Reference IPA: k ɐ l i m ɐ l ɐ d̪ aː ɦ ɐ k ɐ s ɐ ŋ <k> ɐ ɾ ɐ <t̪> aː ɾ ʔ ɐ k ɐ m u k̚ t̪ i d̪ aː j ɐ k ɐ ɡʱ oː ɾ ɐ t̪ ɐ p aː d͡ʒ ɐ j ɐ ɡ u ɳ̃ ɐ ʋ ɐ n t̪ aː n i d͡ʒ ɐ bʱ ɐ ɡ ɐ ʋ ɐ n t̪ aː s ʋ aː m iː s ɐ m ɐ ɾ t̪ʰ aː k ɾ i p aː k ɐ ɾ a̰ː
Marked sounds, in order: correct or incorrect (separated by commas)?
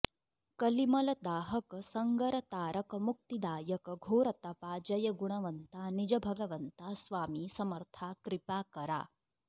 incorrect, correct